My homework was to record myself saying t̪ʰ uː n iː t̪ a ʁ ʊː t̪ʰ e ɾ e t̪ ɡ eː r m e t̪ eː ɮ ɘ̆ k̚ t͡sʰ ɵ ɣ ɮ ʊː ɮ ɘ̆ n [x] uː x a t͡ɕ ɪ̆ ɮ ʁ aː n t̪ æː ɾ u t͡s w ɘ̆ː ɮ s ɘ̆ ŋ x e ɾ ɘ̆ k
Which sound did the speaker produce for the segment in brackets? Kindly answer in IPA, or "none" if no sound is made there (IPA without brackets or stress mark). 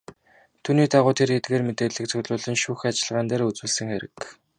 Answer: ʃ